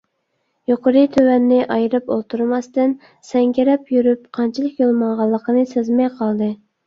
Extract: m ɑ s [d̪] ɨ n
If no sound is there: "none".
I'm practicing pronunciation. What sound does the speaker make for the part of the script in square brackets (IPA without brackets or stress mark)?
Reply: t̪